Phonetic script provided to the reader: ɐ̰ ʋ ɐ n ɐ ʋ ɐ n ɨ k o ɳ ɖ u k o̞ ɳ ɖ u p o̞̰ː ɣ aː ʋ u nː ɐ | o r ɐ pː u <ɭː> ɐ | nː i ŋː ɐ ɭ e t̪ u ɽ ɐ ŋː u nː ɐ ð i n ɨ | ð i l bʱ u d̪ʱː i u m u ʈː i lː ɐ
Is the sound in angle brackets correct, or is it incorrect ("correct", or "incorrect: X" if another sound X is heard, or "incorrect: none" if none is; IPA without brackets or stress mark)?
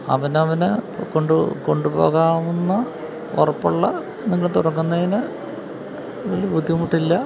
correct